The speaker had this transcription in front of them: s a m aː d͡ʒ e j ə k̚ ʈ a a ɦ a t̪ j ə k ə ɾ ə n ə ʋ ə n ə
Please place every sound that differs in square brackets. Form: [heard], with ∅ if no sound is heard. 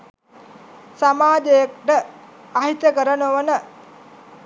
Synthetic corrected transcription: s a m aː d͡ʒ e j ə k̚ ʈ [ə] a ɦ [i] t̪ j ə k ə ɾ ə n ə ʋ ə n ə